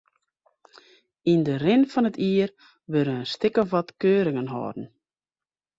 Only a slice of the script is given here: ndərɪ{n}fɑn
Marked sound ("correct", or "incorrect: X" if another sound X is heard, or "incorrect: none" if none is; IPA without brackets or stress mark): correct